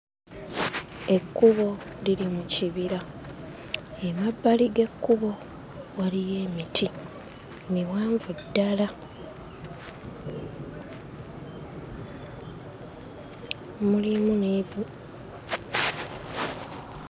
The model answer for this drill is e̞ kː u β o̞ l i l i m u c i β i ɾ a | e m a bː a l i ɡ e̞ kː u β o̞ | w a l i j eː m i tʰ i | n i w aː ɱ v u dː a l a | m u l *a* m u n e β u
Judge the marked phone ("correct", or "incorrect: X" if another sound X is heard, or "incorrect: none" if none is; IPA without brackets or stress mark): incorrect: i